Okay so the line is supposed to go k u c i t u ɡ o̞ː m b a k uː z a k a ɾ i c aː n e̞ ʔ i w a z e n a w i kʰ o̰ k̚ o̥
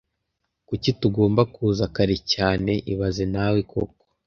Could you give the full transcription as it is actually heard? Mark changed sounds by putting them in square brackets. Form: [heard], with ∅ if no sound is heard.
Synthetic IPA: k u c i t u ɡ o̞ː m b a k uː z a k a ɾ i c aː n e̞ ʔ i [β] a z e n a w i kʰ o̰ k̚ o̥

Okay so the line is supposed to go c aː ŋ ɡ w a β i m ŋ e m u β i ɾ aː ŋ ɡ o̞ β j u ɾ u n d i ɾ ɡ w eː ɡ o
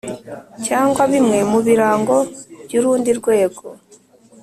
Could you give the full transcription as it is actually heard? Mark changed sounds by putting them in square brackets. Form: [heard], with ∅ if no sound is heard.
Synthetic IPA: c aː ŋ ɡ w a β i m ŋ e m u β i ɾ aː ŋ ɡ o̞ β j u ɾ [uː] n d i ɾ ɡ w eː ɡ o

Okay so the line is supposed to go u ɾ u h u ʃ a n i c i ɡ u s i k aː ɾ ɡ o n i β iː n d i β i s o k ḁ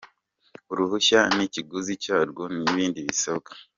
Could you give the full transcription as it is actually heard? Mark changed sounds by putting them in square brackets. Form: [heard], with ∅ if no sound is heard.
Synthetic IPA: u ɾ u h u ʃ a n i c i ɡ u [z] i [c] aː ɾ ɡ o n i β iː n d i β i s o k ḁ

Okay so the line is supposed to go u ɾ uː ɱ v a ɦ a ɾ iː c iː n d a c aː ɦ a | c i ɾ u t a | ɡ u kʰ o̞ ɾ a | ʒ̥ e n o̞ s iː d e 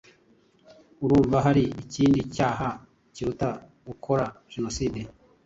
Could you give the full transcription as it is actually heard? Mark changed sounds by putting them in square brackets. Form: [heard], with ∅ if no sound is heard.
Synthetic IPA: u ɾ uː ɱ v a ɦ a ɾ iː c iː n d [i] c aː ɦ a | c i ɾ u t a | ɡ u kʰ o̞ ɾ a | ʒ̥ e n o̞ s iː d e

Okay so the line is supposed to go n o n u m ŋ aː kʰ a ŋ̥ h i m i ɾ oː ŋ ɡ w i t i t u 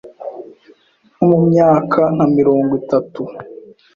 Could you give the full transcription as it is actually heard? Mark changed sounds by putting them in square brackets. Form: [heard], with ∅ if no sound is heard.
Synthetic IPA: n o [m] u m [ɲ] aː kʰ a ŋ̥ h [a] m i ɾ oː ŋ ɡ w i t [a] t u

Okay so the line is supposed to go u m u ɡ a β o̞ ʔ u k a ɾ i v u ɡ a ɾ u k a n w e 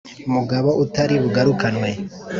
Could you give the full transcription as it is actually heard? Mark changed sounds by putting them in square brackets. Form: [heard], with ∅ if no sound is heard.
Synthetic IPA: u m u ɡ a β o̞ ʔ u [t] a ɾ i [β] u ɡ a ɾ u k a n w e

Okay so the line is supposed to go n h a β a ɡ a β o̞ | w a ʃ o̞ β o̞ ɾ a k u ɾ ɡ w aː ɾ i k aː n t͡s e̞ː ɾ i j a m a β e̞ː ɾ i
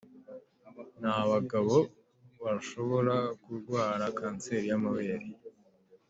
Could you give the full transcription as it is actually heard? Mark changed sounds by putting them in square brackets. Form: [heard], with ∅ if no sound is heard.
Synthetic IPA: n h a β a ɡ a β o̞ | [β] a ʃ o̞ β o̞ ɾ a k u ɾ ɡ w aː ɾ [a] k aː n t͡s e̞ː ɾ i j a m a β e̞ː ɾ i

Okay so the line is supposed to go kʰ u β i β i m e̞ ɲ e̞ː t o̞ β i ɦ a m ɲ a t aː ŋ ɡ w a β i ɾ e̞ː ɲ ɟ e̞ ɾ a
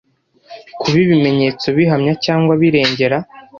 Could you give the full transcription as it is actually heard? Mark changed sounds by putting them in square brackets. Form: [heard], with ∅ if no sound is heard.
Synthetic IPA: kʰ u β i β i m e̞ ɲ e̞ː [t͡s] o̞ β i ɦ a m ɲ a [c] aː ŋ ɡ w a β i ɾ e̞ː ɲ ɟ e̞ ɾ a

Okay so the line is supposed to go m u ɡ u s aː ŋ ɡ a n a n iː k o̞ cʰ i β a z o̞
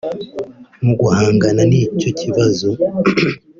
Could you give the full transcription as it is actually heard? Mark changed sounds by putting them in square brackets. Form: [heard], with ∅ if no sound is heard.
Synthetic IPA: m u ɡ u [h] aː ŋ ɡ a n a n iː [c] o̞ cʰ i β a z o̞

